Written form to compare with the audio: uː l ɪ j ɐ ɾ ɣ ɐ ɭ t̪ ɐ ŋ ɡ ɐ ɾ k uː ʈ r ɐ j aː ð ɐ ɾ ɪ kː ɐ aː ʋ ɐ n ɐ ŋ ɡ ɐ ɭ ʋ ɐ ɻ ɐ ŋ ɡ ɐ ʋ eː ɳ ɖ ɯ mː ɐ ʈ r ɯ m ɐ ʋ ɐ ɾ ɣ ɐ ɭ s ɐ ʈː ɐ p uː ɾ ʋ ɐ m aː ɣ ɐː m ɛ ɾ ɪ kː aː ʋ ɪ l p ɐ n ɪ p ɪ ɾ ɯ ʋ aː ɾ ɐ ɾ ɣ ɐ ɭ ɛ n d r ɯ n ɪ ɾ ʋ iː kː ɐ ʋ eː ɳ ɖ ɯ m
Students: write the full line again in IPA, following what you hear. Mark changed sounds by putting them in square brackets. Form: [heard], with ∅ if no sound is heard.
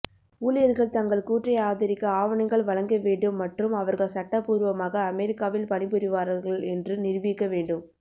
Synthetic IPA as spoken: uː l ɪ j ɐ ɾ ɣ ɐ ɭ t̪ ɐ ŋ ɡ ɐ [ɭ] k uː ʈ r ɐ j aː ð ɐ ɾ ɪ kː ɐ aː ʋ ɐ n ɐ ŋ ɡ ɐ ɭ ʋ ɐ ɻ ɐ ŋ ɡ ɐ ʋ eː ɳ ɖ ɯ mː ɐ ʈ r ɯ m ɐ ʋ ɐ ɾ ɣ ɐ ɭ s ɐ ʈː ɐ p uː ɾ ʋ ɐ m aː ɣ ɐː m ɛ ɾ ɪ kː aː ʋ ɪ l p ɐ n ɪ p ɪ ɾ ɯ ʋ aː ɾ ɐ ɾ ɣ ɐ ɭ ɛ n d r ɯ n ɪ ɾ ʋ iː kː ɐ ʋ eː ɳ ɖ ɯ m